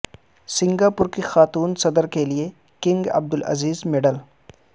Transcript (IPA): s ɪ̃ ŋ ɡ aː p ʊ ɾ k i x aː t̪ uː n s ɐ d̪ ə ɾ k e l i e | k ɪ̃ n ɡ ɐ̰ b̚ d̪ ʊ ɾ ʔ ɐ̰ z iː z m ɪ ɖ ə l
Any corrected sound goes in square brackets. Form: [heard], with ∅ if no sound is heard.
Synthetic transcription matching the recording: s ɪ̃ ŋ ɡ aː p ʊ ɾ k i x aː t̪ uː n s ɐ d̪ ə ɾ k e l i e | k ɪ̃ [ŋ] ɡ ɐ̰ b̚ d̪ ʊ [l] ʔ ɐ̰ z iː z m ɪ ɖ ə l